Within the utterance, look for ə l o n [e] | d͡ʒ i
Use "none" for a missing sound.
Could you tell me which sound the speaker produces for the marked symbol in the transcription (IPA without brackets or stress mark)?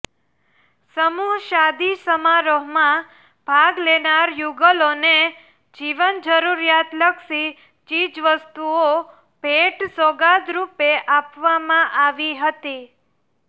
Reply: e